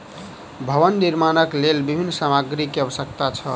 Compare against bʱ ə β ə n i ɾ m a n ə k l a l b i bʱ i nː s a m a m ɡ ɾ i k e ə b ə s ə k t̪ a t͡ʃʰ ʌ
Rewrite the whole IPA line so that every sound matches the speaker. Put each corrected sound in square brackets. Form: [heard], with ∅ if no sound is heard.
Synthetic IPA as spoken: bʱ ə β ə [nː] i ɾ m a n ə k l [e] l b i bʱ i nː s a m a [∅] ɡ ɾ i k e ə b ə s ə k t̪ a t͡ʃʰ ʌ